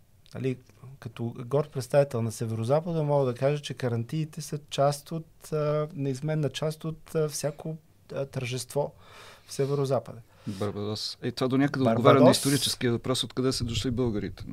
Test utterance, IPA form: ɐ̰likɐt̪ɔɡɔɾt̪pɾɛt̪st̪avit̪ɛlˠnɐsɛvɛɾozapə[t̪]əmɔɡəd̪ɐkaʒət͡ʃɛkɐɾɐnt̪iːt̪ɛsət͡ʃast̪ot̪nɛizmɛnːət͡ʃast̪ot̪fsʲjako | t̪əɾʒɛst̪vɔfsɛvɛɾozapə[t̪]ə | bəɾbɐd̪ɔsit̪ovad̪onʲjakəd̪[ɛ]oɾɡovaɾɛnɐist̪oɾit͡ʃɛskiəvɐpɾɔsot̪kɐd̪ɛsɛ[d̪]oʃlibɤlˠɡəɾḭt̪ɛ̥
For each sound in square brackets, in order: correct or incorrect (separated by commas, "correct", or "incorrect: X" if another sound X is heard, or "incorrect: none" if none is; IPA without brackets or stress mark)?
incorrect: d̪, incorrect: d̪, correct, correct